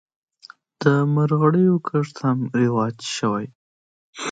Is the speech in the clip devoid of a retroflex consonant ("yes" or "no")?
no